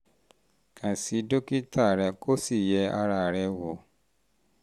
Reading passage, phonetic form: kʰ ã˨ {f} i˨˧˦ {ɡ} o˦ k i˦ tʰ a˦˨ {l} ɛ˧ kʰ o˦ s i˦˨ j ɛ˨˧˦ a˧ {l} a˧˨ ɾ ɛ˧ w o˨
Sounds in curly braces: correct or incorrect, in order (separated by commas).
incorrect, incorrect, incorrect, incorrect